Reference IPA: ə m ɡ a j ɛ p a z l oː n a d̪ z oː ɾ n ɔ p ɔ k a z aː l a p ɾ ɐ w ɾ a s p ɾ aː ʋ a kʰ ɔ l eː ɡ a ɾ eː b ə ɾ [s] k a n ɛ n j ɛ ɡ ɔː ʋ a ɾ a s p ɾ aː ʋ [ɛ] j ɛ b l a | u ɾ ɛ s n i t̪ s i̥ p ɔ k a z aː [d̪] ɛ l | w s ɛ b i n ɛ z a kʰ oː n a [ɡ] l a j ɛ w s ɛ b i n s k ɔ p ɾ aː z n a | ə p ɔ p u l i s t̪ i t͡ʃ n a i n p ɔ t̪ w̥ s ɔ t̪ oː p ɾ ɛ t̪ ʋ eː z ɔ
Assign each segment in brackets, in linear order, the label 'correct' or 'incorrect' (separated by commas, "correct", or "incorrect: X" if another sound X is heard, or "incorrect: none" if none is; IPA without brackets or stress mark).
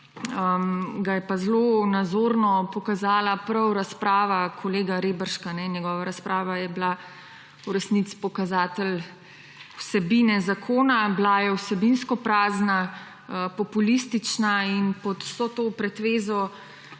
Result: incorrect: ʃ, incorrect: a, incorrect: t̪, incorrect: b